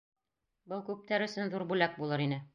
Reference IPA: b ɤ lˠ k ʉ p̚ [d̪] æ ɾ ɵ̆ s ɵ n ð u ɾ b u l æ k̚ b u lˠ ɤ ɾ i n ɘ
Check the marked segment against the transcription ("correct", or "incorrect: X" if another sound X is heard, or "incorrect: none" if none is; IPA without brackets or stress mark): incorrect: t̪